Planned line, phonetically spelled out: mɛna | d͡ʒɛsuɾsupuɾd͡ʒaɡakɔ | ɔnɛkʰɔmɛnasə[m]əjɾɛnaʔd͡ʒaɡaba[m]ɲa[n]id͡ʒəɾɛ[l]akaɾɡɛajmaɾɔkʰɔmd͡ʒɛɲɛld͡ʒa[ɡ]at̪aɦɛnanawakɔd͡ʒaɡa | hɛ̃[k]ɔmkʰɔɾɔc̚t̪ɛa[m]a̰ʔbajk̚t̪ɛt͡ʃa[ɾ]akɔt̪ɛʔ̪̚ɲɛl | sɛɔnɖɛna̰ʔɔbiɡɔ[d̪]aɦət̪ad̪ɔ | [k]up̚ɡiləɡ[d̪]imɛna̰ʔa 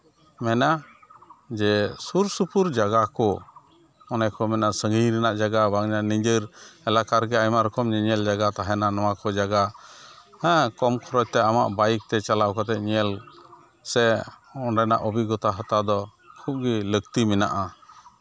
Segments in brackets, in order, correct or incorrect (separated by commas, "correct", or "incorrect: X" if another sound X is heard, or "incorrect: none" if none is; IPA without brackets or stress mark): incorrect: ŋ, incorrect: ŋ, correct, correct, correct, correct, correct, incorrect: l, incorrect: t̪, incorrect: kʰ, incorrect: t̪